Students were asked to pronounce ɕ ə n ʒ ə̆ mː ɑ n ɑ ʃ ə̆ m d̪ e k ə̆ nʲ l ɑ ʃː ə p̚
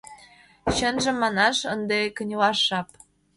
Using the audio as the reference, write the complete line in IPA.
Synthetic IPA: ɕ ə n ʒ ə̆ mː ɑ n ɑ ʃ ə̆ n d̪ e k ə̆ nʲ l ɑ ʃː ɑ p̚